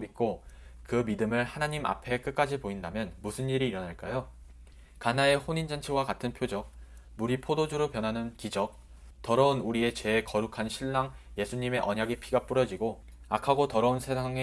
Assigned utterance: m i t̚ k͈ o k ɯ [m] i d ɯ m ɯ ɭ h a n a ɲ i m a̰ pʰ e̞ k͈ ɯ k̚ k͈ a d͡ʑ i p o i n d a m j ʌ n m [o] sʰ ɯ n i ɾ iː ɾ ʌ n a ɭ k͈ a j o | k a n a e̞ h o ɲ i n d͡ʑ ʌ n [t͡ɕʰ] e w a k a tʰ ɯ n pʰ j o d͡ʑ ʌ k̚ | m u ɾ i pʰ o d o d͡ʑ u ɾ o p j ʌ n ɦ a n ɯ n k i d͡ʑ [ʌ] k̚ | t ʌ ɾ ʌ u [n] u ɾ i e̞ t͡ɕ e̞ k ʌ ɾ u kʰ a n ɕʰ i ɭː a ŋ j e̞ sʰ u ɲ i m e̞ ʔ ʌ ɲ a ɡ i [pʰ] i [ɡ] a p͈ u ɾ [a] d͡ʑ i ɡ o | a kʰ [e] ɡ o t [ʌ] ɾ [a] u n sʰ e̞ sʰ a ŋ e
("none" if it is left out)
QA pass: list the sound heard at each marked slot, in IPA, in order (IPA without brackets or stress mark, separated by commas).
m, u, t͡ɕʰ, ʌ, n, pʰ, ɡ, ʌ, a, ʌ, ʌ